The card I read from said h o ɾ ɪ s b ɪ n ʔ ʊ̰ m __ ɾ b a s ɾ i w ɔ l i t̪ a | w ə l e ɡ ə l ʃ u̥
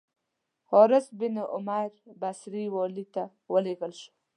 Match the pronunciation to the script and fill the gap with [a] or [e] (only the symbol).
a